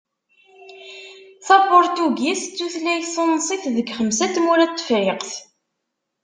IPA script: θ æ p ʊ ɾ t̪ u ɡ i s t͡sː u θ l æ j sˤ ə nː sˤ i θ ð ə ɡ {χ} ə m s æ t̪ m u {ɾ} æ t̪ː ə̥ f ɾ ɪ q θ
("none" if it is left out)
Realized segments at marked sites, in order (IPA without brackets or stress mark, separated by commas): χ, ɾ